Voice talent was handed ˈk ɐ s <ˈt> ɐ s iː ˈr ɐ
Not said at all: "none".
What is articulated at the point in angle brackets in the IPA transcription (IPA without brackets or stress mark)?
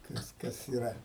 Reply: k